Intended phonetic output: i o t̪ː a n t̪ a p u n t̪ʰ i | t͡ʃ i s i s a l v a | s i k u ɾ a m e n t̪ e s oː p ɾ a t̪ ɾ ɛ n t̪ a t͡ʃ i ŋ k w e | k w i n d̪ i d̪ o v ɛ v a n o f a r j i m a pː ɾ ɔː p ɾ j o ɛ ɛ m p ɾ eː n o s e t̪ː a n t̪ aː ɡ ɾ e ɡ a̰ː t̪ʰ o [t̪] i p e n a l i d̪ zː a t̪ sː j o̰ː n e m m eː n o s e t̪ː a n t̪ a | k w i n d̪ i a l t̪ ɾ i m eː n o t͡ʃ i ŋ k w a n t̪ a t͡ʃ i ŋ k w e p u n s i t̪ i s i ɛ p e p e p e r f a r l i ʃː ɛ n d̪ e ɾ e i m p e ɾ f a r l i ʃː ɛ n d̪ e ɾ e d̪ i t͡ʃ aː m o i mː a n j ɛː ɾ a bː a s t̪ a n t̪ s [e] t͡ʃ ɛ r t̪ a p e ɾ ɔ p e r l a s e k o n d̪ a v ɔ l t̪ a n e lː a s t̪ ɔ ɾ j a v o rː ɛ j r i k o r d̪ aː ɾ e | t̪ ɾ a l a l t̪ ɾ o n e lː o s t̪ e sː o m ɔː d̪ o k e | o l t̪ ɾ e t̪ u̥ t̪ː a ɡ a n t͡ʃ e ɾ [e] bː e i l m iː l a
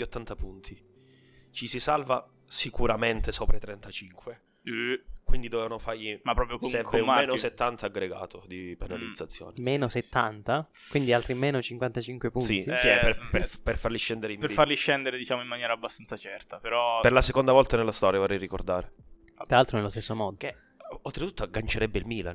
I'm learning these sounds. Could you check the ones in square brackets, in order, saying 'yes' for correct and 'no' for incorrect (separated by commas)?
no, no, no